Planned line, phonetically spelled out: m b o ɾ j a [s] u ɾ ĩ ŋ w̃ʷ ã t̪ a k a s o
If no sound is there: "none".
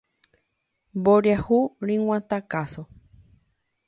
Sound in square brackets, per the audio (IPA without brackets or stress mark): h